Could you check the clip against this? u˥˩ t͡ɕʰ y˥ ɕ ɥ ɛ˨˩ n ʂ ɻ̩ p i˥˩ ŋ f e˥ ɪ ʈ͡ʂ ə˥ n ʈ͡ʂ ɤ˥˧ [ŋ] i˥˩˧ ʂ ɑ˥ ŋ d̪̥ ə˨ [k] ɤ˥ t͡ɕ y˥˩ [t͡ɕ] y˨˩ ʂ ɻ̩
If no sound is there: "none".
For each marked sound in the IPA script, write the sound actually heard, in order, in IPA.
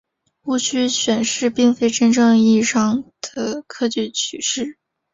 ŋ, kʰ, t͡ɕʰ

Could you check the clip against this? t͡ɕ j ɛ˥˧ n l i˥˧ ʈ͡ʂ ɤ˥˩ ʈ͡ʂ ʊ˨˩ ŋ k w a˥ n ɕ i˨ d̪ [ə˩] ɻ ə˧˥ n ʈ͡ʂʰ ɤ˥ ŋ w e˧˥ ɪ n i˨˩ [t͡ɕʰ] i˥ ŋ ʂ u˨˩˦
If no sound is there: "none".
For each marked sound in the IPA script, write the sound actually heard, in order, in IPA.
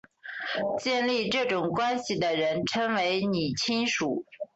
ə˩, t͡ɕʰ

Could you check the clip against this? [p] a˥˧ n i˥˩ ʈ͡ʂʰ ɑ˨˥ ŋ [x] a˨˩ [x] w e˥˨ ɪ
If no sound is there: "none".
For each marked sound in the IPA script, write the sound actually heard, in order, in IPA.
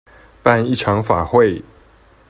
p, f, x

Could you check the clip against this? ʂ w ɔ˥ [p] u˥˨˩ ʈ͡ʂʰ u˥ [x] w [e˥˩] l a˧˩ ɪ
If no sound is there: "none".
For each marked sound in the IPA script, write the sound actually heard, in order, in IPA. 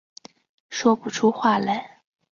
p, x, a˥˩

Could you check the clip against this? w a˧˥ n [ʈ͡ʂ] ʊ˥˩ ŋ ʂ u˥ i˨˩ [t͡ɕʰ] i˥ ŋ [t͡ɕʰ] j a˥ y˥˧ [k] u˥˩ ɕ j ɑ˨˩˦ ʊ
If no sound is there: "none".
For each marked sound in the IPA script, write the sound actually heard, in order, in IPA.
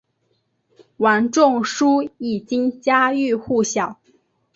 ʈ͡ʂ, t͡ɕ, t͡ɕ, x

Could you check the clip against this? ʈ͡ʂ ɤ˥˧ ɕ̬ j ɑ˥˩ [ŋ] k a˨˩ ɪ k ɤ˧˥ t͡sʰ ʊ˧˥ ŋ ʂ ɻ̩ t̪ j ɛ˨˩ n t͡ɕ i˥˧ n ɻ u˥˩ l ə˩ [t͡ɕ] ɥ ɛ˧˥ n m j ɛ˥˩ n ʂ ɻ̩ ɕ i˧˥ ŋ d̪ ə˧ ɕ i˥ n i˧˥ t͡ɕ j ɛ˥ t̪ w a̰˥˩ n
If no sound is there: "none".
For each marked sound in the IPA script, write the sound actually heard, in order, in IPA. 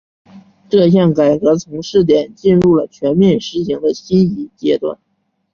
ŋ, t͡ɕʰ

